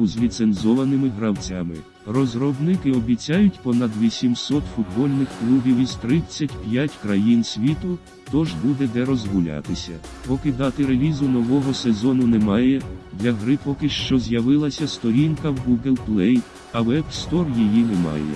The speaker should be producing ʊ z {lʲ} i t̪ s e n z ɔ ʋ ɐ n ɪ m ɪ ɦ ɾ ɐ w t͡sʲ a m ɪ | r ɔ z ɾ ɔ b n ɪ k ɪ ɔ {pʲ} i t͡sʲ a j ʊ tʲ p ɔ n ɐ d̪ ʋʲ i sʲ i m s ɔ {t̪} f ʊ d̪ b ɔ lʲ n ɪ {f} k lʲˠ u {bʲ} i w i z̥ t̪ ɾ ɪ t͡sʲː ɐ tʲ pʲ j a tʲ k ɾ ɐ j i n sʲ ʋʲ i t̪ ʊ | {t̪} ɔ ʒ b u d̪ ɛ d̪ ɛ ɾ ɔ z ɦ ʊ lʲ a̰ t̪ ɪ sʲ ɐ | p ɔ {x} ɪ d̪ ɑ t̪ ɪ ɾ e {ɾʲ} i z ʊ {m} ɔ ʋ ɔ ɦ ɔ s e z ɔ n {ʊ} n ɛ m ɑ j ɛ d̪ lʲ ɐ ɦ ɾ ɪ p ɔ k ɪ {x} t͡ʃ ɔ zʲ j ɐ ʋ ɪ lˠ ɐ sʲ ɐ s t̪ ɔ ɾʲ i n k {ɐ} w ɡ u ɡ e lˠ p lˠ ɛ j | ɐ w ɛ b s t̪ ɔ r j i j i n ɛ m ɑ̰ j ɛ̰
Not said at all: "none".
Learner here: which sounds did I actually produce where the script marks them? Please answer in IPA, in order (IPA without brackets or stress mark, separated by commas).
lʲ, bʲ, t̪, x, bʲ, t̪, k, lʲ, n, ʊ, ʃ, ɐ